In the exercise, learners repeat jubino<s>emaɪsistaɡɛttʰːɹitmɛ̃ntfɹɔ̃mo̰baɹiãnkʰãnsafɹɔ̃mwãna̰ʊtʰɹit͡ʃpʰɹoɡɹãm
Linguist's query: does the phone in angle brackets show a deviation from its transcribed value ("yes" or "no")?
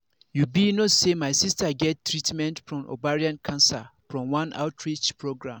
no